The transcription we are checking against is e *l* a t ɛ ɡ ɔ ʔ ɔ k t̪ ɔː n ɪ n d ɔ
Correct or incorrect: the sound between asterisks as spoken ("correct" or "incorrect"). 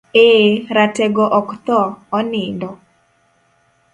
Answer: incorrect